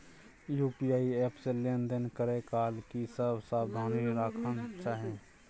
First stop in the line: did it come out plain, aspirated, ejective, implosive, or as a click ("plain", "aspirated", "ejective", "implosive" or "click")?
plain